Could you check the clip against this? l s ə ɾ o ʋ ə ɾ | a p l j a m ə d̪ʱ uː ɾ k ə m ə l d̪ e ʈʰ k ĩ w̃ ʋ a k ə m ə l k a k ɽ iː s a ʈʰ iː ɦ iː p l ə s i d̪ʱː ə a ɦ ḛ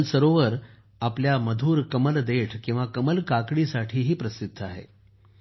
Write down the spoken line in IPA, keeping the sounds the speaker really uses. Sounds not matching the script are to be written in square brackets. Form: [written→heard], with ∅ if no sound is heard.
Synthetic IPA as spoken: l s ə ɾ o ʋ ə ɾ | a p l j a m ə d̪ʱ uː ɾ k ə m ə l d̪ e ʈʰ k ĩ w̃ ʋ a k ə m ə l k a k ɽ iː s a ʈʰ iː ɦ iː p [l→ɾ] ə s i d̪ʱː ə a ɦ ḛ